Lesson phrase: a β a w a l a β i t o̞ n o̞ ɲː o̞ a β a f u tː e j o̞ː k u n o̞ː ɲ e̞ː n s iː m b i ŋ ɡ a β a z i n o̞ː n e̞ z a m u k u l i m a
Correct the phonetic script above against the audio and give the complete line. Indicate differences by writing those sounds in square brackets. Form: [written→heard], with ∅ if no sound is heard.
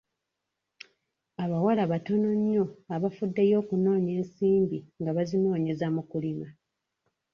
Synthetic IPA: a β a w a l a β [i→a] t o̞ n o̞ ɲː o̞ a β a f u [tː→dː] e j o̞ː k u n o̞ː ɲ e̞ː n s iː m b i ŋ ɡ a β a z i n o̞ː [n→ɲ] e̞ z a m u k u l i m a